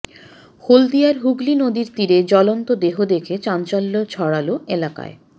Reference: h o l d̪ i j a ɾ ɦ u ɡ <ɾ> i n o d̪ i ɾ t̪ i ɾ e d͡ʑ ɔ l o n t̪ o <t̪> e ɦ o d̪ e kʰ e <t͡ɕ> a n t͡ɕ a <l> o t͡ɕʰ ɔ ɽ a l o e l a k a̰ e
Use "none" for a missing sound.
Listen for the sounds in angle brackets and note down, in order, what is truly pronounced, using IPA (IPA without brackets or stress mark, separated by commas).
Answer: l, d̪, t͡ɕ, lː